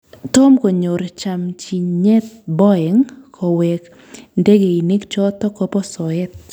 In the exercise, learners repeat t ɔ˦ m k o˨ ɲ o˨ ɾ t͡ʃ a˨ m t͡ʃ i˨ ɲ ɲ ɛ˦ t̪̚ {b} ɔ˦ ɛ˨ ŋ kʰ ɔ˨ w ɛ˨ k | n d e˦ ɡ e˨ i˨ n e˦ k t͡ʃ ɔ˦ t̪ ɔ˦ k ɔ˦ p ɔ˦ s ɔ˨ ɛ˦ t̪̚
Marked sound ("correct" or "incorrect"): correct